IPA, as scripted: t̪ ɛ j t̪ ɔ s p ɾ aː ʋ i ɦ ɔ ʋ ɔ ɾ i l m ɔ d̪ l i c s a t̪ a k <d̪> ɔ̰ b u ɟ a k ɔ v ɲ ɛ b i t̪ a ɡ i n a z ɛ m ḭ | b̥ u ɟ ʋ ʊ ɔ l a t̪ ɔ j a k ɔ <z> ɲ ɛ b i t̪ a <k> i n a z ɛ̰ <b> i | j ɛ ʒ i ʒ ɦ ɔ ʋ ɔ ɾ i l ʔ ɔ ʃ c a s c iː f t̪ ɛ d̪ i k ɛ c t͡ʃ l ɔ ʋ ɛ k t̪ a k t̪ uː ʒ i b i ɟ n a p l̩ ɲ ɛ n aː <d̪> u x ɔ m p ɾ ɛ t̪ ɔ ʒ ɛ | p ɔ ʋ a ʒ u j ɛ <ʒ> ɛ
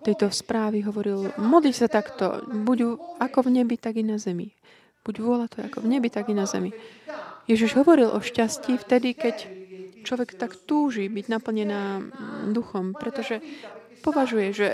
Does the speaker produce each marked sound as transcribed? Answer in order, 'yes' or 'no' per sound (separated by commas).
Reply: no, no, no, no, yes, yes